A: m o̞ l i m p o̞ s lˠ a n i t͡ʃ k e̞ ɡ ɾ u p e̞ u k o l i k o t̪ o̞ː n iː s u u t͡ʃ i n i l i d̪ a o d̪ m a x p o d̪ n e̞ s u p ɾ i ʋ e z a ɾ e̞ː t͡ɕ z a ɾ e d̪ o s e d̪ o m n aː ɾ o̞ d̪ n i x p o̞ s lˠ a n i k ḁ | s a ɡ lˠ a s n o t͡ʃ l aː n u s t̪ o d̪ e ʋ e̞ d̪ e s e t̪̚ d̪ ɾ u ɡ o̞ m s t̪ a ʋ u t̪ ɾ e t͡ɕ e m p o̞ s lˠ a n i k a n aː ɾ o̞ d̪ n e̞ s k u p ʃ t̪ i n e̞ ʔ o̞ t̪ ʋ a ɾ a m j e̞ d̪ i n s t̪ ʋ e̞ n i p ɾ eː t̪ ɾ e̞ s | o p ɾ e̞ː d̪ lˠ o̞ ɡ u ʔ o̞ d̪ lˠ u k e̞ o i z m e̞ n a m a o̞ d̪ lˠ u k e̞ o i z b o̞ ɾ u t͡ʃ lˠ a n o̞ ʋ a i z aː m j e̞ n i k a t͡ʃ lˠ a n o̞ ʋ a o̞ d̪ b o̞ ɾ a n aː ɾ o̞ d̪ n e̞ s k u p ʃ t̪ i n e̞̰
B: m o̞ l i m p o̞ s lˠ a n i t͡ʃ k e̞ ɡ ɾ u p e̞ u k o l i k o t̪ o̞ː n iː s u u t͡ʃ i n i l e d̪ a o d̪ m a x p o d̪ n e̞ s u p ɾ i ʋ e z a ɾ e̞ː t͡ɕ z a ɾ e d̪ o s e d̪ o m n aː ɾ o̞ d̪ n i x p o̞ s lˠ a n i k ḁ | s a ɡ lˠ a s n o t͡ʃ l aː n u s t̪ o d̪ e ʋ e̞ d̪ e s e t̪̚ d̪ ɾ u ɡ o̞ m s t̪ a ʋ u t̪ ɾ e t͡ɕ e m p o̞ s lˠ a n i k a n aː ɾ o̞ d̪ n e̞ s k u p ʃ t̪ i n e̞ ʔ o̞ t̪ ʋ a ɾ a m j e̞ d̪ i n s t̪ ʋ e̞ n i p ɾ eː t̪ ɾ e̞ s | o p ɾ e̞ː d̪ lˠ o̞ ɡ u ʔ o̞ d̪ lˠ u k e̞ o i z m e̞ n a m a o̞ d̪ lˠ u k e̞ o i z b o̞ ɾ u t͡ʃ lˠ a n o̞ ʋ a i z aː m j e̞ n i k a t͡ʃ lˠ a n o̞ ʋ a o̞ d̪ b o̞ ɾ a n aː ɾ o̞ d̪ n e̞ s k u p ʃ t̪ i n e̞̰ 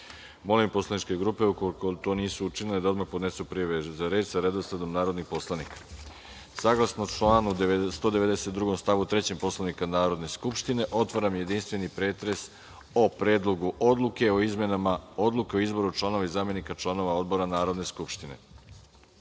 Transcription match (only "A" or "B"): B